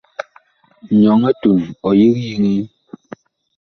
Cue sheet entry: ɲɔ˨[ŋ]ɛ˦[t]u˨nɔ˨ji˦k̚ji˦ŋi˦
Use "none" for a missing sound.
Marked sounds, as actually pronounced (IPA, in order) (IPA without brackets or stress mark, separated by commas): ŋ, t